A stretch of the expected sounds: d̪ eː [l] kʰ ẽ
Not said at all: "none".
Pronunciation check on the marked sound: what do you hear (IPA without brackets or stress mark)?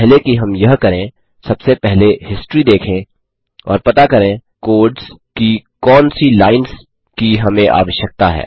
none